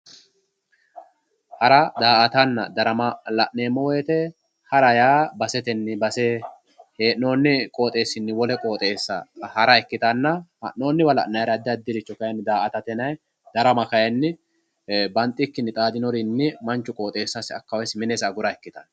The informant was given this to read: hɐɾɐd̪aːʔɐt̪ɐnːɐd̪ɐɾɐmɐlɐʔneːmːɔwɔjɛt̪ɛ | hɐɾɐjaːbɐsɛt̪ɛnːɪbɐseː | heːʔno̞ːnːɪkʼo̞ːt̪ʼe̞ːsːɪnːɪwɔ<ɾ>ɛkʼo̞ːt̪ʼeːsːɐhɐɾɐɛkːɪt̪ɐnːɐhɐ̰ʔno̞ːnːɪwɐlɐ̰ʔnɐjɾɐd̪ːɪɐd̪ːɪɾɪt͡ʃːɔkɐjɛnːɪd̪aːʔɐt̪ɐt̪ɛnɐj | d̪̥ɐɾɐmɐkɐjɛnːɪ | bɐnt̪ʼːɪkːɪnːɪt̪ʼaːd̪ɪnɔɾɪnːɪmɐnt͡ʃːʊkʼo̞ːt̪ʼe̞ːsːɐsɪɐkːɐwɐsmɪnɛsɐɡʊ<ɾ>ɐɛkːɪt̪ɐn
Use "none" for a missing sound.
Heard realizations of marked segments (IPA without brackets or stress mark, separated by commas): l, ɾ